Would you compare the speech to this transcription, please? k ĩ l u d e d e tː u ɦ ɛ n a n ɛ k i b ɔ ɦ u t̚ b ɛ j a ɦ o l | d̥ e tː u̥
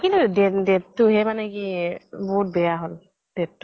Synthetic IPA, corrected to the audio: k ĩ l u d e d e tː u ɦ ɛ m a n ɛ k i b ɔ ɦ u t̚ b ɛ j a ɦ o l | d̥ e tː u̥

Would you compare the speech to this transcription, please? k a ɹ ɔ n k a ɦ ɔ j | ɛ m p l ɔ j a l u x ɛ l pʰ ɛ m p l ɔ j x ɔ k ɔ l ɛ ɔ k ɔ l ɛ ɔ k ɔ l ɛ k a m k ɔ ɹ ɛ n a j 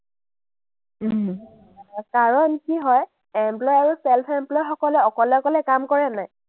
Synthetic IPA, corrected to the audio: k a ɹ ɔ n k i ɦ ɔ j | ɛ m p l ɔ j a ɹ u s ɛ l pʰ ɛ m p l ɔ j x ɔ k ɔ l ɛ ɔ k ɔ l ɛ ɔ k ɔ l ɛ k a m k ɔ ɹ ɛ n a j

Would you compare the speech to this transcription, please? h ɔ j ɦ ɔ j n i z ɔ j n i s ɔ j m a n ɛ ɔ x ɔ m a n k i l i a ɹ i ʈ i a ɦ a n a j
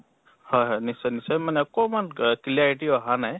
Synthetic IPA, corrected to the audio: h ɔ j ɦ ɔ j n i s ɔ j n i s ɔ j m a n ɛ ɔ k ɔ m a n k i l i a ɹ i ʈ i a ɦ a n a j

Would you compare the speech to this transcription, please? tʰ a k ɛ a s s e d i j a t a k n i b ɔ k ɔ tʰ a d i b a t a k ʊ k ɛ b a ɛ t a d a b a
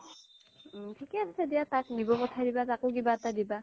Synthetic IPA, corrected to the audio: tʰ i k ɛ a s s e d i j a t a k n i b ɔ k ɔ tʰ a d i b a t a k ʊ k i b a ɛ t a d i b a

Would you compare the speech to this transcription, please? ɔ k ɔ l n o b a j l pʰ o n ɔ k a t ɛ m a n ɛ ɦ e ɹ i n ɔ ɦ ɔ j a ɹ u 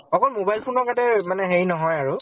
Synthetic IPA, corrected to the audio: ɔ k ɔ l m o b a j l pʰ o n ɔ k a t ɛ m a n ɛ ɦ e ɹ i n ɔ ɦ ɔ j a ɹ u

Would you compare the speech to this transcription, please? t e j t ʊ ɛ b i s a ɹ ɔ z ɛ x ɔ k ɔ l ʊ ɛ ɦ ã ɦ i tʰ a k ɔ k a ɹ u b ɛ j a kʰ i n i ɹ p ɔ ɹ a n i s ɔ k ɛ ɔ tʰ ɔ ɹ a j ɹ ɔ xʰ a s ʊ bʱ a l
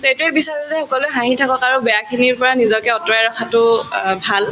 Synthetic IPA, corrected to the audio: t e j t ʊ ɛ b i s a ɹ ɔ z ɛ x ɔ k ɔ l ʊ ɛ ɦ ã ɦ i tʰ a k ɔ k a ɹ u b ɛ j a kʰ i n i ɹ p ɔ ɹ a n i z ɔ k ɛ ɔ t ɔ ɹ a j ɹ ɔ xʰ a t ʊ bʱ a l

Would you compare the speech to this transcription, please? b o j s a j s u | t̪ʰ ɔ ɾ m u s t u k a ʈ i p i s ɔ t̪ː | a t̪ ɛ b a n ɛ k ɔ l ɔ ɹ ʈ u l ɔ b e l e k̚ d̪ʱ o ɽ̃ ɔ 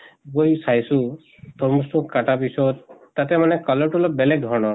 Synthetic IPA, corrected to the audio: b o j s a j s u | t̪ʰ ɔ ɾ m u s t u k a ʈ a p i s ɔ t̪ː | a t̪ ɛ m a n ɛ k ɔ l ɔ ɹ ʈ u l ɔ b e l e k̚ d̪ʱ ɔ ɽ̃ ɔ

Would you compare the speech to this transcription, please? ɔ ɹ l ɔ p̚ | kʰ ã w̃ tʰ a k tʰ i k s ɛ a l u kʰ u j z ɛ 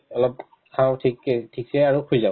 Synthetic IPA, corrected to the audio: ɔ l ɔ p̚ | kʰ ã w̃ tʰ i k tʰ i k s ɛ a ɹ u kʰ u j z a

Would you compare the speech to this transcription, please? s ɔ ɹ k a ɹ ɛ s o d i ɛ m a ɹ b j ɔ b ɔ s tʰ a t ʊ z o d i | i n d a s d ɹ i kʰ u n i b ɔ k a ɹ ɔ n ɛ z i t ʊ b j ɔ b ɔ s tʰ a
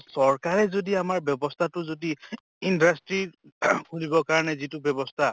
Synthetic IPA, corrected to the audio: s ɔ ɹ k a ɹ ɛ z o d i a m a ɹ b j ɔ b ɔ s tʰ a t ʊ z o d i | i n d a s t ɹ i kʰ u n i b ɔ k a ɹ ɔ n ɛ z i t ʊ b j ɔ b ɔ s tʰ a

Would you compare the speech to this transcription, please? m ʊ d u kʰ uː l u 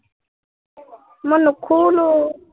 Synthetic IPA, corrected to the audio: m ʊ n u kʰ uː l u

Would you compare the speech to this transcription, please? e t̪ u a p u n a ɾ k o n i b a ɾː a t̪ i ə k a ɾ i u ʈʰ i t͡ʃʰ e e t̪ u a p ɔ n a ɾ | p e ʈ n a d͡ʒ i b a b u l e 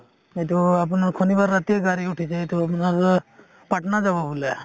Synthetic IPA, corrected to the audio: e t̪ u a p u n a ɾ kʰ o n i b a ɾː a t̪ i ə ɡ a ɾ i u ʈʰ i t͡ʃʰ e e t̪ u a p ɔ n a ɾ | p a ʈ n a d͡ʒ a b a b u l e

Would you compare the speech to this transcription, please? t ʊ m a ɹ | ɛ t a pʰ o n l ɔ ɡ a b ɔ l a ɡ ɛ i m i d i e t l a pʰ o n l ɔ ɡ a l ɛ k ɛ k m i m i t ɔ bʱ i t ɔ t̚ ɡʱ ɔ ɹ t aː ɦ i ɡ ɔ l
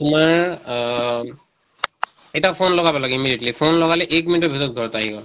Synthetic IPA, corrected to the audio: t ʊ m a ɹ | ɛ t a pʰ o n l ɔ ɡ a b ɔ l a ɡ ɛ i m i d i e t l i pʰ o n l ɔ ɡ a l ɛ ʔ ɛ k m i n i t ɔ bʱ i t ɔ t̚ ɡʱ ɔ ɹ t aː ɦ i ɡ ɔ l

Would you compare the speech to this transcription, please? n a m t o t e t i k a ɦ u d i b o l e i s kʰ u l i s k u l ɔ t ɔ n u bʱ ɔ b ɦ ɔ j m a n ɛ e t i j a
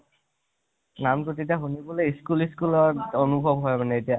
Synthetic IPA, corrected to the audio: n a m t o t e t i a ɦ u n i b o l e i s k u l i s k u l ɔ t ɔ n u bʱ ɔ b ɦ ɔ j m a n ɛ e t i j a

